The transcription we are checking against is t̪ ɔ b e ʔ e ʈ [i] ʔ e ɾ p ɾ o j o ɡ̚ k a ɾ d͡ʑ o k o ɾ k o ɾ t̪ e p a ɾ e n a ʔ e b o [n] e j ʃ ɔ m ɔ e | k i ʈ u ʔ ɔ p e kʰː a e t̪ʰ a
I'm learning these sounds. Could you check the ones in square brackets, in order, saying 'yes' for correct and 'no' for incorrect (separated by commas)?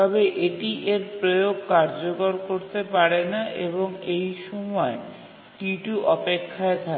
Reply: yes, no